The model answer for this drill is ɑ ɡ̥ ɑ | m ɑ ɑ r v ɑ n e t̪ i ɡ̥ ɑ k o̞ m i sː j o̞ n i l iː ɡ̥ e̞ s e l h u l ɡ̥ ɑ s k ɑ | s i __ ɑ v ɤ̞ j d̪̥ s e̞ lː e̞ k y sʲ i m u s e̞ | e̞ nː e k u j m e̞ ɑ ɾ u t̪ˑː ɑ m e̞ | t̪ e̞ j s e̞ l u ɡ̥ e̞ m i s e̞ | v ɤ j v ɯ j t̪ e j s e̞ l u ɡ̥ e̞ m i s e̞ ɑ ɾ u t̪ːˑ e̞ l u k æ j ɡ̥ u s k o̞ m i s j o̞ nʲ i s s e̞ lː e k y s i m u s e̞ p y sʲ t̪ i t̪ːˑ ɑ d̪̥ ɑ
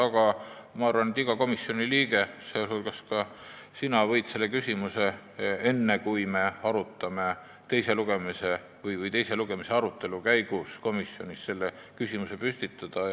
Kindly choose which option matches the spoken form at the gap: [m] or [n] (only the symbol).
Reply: n